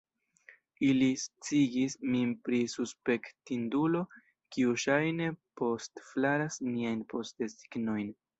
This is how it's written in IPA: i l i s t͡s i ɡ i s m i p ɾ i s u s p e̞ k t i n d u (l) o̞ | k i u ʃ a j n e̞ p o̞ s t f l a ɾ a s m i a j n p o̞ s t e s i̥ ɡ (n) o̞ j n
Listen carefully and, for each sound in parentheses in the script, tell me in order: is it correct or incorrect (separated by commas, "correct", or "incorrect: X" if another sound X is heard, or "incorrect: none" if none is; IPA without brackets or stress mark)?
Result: correct, correct